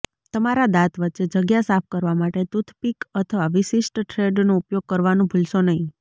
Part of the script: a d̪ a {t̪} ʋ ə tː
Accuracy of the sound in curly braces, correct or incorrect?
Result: correct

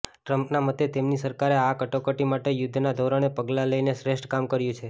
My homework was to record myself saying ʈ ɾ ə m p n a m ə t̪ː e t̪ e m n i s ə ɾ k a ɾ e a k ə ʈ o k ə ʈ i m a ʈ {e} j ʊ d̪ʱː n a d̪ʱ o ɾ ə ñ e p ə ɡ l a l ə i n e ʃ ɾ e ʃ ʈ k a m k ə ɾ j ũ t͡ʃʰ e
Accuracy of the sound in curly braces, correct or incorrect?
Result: correct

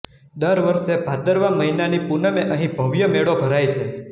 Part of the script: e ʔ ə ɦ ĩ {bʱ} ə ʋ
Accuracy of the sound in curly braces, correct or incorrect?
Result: correct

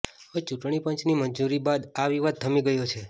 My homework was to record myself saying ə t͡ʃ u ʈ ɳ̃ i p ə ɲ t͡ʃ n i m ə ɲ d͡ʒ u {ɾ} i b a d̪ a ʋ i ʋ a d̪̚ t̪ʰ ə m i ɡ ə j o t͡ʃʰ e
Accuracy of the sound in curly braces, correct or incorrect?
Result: correct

